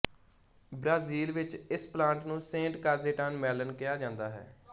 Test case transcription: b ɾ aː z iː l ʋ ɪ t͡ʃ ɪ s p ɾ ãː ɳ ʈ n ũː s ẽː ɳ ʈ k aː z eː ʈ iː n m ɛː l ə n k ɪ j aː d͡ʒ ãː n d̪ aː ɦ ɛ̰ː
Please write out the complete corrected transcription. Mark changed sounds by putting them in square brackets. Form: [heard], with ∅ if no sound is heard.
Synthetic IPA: b ɾ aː z iː l ʋ ɪ t͡ʃ ɪ s p [l] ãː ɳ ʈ n ũː s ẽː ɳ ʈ k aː z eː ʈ [aː] n m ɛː l ə n k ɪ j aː d͡ʒ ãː n d̪ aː ɦ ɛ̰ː